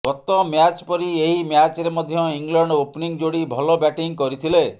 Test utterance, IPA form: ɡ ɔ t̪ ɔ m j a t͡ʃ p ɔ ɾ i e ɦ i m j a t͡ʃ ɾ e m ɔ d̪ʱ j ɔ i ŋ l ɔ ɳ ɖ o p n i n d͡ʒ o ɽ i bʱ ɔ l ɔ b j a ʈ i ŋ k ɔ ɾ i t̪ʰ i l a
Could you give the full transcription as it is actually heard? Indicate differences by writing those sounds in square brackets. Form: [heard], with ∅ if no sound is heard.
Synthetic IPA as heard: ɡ ɔ t̪ ɔ m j a t͡ʃ p ɔ ɾ i e ɦ i m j a t͡ʃ ɾ e m ɔ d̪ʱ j ɔ i ŋ l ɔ ɳ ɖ o p n i [ŋ] d͡ʒ o ɽ i bʱ ɔ l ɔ b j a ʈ i ŋ k ɔ ɾ i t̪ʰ i l [e]